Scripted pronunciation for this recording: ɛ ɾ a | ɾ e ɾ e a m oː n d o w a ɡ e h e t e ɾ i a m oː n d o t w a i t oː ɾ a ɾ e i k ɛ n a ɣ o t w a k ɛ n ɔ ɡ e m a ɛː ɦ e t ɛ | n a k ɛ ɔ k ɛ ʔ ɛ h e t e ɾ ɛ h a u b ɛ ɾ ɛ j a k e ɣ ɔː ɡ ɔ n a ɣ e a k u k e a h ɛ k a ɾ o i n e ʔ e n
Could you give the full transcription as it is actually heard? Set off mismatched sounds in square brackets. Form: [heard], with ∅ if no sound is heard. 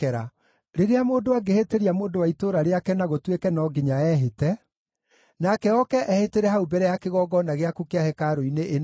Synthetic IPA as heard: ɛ ɾ a | ɾ e ɾ e a m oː n d o w a ɡ e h e t e ɾ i a m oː n d o [∅] w a i t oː ɾ a ɾ e [a] k ɛ n a ɣ o t w [e] k ɛ n ɔ ɡ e [ɲ] a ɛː ɦ e t ɛ | n a k ɛ ɔ k ɛ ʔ ɛ h e t e ɾ ɛ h a u b ɛ ɾ ɛ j a k e ɣ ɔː ɡ ɔ n a ɣ e a k u k e a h ɛ k a ɾ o i n e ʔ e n